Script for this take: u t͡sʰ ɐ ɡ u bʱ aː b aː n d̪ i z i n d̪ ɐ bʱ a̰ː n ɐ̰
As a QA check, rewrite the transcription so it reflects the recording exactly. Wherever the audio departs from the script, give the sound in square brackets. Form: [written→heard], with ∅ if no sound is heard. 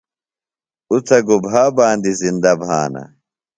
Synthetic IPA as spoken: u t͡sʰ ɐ ɡ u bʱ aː b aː n d̪ i z i n d̪ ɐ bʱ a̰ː n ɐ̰